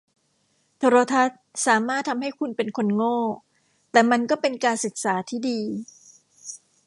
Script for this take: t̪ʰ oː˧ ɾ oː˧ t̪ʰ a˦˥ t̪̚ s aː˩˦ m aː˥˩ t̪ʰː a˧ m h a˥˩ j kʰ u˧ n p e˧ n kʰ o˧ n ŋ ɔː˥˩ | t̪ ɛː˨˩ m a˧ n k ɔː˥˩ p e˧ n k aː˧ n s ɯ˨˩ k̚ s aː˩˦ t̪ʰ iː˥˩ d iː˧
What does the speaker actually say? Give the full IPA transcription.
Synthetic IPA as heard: t̪ʰ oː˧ ɾ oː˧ t̪ʰ a˦˥ t̪̚ s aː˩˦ m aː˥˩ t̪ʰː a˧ m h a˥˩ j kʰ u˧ n p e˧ n kʰ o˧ n ŋ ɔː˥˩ | t̪ ɛː˨˩ m a˧ n k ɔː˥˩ p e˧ n k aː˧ n s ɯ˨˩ k̚ s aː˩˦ t̪ʰ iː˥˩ d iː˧